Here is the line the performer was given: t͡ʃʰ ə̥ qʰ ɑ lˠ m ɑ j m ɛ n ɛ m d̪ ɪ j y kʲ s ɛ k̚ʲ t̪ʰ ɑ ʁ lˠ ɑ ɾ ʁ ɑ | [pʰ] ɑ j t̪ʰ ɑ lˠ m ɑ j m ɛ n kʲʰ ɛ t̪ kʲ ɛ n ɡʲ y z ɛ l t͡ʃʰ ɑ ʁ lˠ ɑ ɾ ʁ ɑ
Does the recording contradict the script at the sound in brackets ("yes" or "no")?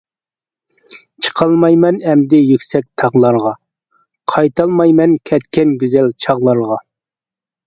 yes